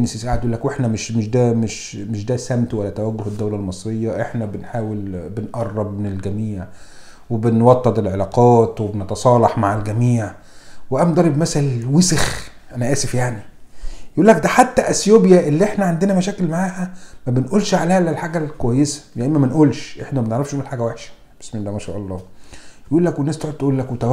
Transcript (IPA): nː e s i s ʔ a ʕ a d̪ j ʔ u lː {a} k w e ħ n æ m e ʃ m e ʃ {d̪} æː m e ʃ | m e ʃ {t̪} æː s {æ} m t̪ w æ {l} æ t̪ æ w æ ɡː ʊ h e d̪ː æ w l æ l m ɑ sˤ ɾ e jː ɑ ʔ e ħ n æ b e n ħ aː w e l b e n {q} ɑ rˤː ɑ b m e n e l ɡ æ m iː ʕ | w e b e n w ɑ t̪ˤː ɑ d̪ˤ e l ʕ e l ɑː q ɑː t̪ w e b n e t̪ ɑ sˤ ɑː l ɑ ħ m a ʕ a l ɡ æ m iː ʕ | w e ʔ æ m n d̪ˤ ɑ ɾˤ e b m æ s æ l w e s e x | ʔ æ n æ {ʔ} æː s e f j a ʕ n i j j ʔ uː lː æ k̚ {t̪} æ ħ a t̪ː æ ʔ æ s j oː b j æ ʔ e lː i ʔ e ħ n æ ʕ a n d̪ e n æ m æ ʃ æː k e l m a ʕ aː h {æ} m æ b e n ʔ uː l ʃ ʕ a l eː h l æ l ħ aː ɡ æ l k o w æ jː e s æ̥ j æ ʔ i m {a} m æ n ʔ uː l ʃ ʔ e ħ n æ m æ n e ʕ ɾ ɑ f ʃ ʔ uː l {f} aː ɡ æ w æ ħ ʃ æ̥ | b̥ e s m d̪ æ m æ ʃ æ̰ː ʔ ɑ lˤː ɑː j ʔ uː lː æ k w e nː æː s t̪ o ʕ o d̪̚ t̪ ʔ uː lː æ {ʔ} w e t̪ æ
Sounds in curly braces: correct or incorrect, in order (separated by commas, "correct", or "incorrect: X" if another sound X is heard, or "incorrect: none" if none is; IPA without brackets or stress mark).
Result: incorrect: æ, correct, incorrect: d̪, correct, incorrect: lː, incorrect: ʔ, correct, incorrect: d̪, correct, incorrect: æ, incorrect: ħ, incorrect: k